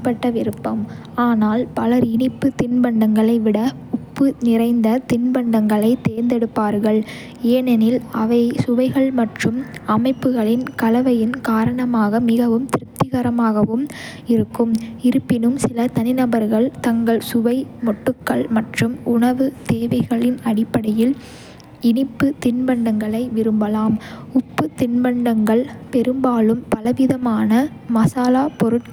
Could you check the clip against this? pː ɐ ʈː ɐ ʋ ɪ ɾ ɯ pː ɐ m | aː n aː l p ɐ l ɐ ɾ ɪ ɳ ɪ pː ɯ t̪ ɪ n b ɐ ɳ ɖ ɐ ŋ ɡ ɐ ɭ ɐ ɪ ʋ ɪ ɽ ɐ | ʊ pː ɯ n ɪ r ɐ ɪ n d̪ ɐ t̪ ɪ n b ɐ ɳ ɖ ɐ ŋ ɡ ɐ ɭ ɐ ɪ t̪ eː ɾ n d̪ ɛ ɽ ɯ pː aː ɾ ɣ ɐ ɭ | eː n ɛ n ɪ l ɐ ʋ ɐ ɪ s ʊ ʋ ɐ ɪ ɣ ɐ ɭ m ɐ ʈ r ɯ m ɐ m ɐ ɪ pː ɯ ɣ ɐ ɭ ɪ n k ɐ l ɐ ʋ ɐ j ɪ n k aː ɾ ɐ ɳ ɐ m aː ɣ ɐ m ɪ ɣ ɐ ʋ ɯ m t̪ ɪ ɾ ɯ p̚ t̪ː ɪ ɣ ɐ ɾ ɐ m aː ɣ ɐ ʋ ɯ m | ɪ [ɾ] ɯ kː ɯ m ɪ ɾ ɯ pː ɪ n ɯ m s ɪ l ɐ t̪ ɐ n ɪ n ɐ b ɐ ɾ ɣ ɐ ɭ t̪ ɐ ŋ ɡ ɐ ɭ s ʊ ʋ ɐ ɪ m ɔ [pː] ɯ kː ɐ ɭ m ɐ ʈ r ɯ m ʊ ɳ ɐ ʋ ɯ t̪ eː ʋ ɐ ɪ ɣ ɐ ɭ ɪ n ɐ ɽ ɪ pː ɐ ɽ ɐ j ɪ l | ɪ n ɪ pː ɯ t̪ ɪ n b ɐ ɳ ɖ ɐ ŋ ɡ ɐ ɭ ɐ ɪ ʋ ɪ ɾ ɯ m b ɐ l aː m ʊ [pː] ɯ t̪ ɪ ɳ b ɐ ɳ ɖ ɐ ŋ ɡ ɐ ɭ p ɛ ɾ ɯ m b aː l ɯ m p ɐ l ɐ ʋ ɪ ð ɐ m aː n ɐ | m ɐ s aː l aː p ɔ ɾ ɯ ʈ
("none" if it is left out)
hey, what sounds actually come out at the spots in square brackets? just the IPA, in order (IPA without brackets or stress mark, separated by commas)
ɾ, ʈː, pː